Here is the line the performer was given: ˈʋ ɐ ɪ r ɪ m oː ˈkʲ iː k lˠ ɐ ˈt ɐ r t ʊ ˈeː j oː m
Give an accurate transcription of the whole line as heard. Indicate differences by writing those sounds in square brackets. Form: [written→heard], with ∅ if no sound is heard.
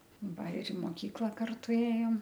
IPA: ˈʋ ɐ ɪ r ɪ m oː ˈkʲ iː k lˠ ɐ [ˈt→ˈk] ɐ r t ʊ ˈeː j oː m